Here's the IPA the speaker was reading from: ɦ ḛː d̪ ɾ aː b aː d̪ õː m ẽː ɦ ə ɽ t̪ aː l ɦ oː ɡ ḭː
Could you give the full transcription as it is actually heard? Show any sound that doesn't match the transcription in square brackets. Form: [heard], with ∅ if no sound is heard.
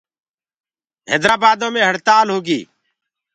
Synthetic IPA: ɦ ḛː d̪ ɾ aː b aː d̪ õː m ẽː ɦ ə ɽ t̪ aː l ɦ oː ɡ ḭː